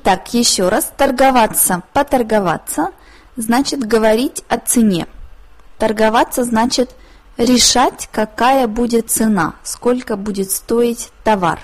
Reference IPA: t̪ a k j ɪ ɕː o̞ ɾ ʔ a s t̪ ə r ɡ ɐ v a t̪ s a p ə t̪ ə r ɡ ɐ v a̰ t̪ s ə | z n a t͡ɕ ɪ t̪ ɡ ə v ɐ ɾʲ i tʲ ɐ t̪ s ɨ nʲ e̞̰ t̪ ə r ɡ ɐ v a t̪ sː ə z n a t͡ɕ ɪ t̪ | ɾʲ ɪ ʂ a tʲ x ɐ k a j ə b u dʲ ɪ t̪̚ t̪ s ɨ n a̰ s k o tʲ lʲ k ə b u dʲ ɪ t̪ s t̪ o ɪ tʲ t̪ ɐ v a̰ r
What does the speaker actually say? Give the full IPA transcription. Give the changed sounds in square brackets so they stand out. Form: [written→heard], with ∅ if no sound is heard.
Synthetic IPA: t̪ a k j ɪ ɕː o̞ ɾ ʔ a s t̪ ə r ɡ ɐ v a t̪ s [a→ə] p ə t̪ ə r ɡ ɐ v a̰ t̪ s ə | z n a t͡ɕ ɪ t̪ ɡ ə v ɐ ɾʲ i tʲ ɐ t̪ s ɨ nʲ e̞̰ t̪ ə r ɡ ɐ v a t̪ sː ə z n a t͡ɕ ɪ t̪ | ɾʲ ɪ ʂ a tʲ [x→k] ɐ k a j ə b u dʲ ɪ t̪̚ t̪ s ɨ n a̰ s k o [tʲ→∅] lʲ k ə b u dʲ ɪ t̪ s t̪ o ɪ tʲ t̪ ɐ v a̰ r